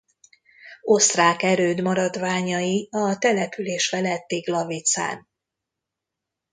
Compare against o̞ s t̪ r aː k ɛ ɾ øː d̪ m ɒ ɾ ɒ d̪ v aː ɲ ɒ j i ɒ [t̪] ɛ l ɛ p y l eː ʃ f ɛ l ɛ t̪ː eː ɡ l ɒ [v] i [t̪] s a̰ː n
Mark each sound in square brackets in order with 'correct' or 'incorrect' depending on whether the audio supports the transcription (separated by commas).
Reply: correct, correct, correct